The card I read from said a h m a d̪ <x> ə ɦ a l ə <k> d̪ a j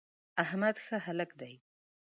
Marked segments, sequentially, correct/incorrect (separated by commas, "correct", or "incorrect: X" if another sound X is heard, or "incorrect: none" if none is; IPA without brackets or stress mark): correct, correct